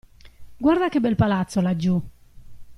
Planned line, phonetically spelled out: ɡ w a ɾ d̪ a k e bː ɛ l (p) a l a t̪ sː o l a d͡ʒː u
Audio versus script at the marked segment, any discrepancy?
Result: no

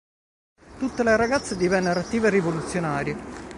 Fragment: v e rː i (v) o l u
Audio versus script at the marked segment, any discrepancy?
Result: no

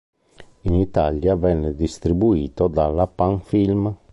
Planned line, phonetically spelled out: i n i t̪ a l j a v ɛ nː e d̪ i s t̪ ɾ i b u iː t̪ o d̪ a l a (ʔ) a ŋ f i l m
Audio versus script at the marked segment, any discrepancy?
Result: yes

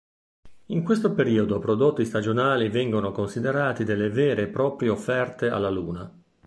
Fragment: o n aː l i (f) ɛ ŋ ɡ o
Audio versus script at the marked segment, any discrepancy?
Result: yes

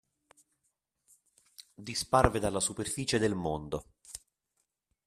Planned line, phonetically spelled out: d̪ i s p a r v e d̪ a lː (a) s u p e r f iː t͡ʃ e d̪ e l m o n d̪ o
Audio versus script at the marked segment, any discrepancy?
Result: no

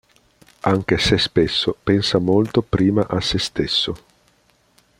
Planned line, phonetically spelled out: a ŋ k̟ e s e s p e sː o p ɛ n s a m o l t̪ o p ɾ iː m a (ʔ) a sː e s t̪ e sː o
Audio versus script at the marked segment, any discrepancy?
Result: no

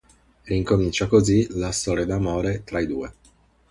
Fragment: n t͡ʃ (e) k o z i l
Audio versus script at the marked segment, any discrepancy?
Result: yes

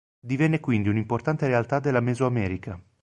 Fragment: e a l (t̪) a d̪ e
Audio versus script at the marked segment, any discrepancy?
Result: no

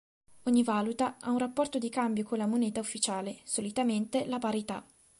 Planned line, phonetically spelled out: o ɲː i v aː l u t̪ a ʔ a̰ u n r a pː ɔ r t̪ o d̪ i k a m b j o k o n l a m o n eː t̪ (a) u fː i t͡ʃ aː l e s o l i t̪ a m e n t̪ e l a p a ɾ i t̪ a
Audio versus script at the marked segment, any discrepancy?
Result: no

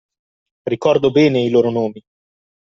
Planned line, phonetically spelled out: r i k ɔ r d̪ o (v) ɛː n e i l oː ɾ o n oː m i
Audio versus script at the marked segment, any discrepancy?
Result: yes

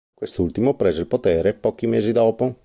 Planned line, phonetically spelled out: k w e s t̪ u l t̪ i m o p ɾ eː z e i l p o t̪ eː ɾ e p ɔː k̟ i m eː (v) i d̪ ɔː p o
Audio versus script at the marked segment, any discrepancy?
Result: yes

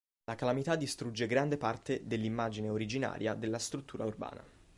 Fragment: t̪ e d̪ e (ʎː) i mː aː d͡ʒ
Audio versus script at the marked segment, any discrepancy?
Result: yes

